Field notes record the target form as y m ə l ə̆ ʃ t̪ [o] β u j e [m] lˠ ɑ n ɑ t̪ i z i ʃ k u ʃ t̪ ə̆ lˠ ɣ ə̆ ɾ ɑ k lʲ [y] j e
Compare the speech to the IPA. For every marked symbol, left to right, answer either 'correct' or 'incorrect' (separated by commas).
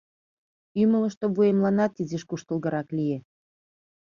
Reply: correct, correct, incorrect